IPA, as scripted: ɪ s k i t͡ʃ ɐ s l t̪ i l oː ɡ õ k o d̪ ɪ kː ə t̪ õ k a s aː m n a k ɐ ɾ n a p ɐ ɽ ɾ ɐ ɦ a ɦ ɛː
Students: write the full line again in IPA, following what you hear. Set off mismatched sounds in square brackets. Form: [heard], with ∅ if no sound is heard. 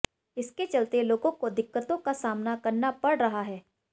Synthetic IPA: ɪ s k [e] t͡ʃ ɐ [∅] l t̪ [e] l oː ɡ õ k o d̪ ɪ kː ə t̪ õ k a s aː m n a k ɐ ɾ n a p ɐ ɽ ɾ ɐ ɦ a ɦ ɛː

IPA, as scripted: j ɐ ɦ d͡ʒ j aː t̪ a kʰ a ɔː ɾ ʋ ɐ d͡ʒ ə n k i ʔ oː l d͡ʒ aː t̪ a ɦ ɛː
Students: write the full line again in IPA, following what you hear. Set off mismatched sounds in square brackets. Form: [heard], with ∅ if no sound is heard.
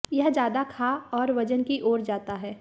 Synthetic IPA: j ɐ ɦ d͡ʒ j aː [d̪] a kʰ a ɔː ɾ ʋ ɐ d͡ʒ ə n k i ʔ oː [ɾ] d͡ʒ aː t̪ a ɦ ɛː

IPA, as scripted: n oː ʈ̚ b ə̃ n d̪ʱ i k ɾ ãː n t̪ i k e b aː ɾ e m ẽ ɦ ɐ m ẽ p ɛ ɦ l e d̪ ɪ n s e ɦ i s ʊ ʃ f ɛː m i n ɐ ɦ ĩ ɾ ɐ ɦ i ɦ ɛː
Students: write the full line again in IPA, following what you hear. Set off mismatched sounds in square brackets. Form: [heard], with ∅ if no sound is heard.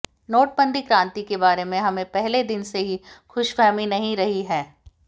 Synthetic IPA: n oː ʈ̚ b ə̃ n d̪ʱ i k ɾ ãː n t̪ i k e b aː ɾ e m ẽ ɦ ɐ m ẽ p ɛ ɦ l e d̪ ɪ n s e ɦ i [x] ʊ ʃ f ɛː m i n ɐ ɦ ĩ ɾ ɐ ɦ i ɦ ɛː

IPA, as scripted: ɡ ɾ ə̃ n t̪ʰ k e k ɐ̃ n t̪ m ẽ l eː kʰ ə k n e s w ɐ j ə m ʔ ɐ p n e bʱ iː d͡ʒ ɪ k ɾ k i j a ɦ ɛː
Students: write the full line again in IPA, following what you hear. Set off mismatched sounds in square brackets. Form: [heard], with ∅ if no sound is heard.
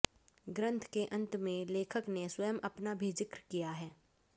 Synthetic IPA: ɡ ɾ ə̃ n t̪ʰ k e [ʔ] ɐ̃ n t̪ m ẽ l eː kʰ ə k n e s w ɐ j ə m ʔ ɐ p n [a] bʱ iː d͡ʒ ɪ k ɾ k i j a ɦ ɛː

